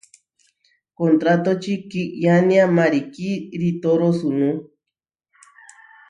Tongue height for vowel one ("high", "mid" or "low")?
mid